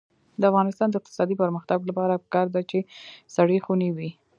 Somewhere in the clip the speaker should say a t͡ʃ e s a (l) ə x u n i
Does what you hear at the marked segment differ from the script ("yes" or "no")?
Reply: yes